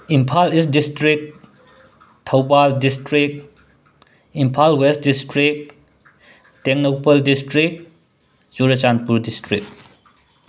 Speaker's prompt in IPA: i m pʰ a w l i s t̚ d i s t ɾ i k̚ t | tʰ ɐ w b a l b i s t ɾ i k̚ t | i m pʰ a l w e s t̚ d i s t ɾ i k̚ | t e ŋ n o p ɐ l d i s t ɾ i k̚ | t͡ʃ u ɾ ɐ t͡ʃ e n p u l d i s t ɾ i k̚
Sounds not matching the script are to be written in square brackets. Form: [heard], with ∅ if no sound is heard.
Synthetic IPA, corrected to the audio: i m pʰ a [∅] l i s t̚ d i s t ɾ i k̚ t | tʰ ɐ w b a l [d] i s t ɾ i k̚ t | i m pʰ a l w e s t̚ d i s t ɾ i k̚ | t e ŋ n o p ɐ l d i s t ɾ i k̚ | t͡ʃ u ɾ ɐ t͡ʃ [a] n p u [ɾ] d i s t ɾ i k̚